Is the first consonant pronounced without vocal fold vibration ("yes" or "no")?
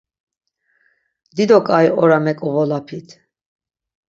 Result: no